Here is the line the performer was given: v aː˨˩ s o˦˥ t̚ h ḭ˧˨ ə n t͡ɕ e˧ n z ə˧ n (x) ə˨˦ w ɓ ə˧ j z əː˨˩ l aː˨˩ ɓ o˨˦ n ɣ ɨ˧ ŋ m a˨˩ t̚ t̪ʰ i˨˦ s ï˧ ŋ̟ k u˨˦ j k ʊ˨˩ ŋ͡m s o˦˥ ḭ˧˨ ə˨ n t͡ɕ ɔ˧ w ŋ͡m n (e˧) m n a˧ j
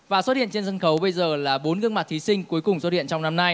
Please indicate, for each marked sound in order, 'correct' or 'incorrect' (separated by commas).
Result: correct, incorrect